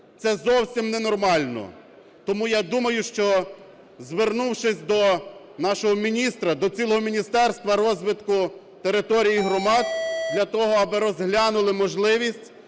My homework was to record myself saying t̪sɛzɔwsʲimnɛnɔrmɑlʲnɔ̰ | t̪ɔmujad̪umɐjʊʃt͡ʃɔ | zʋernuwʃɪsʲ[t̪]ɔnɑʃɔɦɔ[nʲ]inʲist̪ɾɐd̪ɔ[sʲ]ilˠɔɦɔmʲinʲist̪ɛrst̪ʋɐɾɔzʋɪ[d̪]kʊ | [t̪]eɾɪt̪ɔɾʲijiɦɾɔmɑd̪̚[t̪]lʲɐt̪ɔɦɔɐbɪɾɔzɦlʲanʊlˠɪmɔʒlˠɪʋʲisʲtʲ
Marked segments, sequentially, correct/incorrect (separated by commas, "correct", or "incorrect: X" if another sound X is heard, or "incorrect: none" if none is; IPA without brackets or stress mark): incorrect: d̪, incorrect: mʲ, incorrect: t͡sʲ, incorrect: t̪, correct, incorrect: d̪